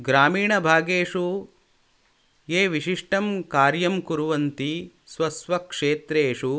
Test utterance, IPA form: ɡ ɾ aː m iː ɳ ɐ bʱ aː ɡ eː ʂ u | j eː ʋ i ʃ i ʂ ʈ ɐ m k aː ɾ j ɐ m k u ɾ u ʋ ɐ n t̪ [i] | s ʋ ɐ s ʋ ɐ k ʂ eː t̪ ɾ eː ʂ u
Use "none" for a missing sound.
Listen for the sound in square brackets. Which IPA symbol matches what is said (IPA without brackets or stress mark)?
i